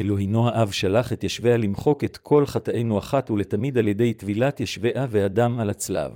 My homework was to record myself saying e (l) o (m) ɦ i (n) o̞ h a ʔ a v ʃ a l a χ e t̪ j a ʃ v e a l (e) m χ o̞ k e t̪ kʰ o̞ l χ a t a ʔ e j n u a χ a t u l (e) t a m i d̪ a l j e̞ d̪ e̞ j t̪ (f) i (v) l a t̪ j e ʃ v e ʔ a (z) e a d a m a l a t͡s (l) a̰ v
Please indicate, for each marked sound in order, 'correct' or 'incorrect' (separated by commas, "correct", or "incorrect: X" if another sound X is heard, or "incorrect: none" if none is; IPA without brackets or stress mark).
correct, incorrect: none, correct, incorrect: i, correct, incorrect: v, incorrect: none, incorrect: v, correct